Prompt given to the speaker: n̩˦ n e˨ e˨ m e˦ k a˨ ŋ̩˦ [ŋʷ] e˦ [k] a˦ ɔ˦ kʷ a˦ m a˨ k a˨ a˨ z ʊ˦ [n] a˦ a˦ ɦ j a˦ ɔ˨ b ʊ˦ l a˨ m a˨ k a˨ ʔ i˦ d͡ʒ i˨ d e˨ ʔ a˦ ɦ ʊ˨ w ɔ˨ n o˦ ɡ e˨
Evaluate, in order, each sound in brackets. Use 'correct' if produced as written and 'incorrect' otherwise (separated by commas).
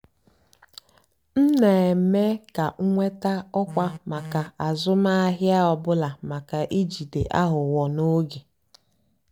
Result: correct, incorrect, incorrect